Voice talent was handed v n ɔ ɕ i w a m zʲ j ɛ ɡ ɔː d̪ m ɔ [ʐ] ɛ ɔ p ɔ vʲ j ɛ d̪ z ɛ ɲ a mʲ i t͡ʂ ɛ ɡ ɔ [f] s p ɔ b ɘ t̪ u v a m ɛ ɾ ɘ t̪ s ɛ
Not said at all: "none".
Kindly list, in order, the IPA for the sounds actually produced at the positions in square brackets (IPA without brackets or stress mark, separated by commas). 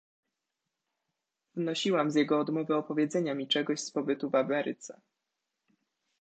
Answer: v, ɕ